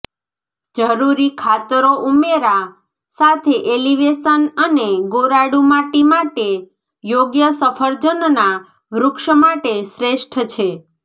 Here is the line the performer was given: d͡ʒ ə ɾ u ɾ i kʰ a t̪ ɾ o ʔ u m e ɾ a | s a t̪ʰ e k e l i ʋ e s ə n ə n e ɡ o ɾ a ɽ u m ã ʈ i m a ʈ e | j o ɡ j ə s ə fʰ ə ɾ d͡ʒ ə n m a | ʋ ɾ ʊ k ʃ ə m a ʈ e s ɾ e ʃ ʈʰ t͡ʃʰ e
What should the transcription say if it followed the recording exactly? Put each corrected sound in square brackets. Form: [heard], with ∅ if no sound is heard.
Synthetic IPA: d͡ʒ ə ɾ u ɾ i kʰ a t̪ ɾ o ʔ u m e ɾ a | s a t̪ʰ e [ʔ] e l i ʋ e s ə n ə n e ɡ o ɾ a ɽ u m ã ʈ i m a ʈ e | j o ɡ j ə s ə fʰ ə ɾ d͡ʒ ə n [n] a | ʋ ɾ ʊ k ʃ ə m a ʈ e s ɾ e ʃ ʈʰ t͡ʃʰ e